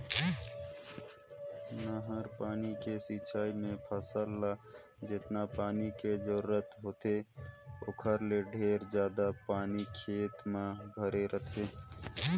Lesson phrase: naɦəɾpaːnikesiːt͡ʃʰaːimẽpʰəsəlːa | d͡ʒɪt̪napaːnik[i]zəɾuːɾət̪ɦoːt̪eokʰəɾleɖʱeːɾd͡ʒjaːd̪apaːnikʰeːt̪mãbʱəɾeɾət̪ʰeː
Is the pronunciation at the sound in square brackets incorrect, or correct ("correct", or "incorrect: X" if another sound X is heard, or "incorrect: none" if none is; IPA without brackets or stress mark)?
incorrect: e